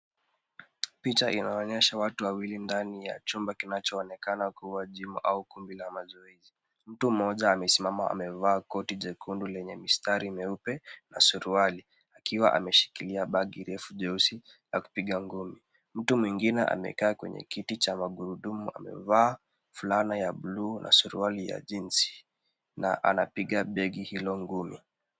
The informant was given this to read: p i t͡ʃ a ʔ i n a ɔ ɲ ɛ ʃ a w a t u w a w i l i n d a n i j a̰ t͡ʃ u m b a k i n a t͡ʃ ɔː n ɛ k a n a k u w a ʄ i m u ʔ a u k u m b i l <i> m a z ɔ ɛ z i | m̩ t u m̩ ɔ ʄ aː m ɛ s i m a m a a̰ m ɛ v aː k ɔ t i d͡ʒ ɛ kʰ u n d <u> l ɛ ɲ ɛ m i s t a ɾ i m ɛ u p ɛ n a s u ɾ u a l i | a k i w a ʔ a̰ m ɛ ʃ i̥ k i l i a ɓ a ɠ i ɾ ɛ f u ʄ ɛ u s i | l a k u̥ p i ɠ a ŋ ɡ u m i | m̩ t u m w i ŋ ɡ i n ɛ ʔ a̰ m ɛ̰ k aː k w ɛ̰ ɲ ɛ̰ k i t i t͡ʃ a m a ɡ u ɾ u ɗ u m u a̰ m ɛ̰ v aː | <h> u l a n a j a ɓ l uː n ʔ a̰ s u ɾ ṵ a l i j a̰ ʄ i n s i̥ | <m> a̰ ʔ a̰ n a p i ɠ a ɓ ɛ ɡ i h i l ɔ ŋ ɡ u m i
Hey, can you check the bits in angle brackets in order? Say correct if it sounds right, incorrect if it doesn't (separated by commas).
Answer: incorrect, correct, incorrect, incorrect